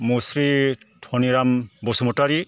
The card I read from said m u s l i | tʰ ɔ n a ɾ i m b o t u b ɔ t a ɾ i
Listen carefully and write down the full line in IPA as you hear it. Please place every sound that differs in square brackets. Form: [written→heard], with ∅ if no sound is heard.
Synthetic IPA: m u s [l→ɾ] i | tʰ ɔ n [a→i] ɾ [i→a] m b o [t→s] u [b→m] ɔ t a ɾ i